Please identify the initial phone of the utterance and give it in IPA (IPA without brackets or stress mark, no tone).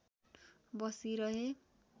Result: b